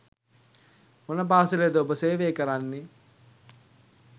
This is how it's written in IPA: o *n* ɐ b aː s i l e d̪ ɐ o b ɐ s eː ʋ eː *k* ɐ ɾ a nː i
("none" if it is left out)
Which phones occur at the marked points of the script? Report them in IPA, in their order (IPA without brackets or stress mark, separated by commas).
n, k